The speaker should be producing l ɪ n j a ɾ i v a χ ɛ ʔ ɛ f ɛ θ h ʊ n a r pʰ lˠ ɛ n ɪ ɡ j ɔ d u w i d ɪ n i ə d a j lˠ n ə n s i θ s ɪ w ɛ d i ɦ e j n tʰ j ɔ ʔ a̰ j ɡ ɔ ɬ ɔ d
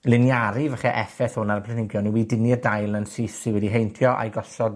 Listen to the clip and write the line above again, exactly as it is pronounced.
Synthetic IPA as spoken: l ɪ n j a ɾ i v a χ ɛ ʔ ɛ f ɛ θ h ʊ n a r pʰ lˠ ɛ n ɪ ɡ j ɔ n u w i d ɪ n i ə d a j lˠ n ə n s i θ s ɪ w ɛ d i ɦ e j n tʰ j ɔ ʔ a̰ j ɡ ɔ ɬ ɔ d